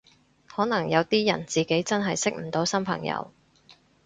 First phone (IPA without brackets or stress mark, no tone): h